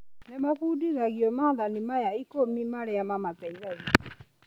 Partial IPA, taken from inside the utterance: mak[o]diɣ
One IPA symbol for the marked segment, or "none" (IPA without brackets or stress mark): u